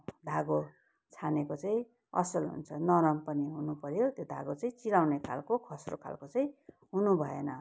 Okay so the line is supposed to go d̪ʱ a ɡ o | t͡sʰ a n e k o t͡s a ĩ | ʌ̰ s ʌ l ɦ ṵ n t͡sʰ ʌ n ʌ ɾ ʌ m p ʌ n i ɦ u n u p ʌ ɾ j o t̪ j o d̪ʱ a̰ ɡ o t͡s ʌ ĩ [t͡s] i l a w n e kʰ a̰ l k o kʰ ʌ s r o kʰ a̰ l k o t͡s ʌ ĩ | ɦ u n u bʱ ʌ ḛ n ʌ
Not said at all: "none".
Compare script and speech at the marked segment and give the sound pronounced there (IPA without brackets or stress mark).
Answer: t͡s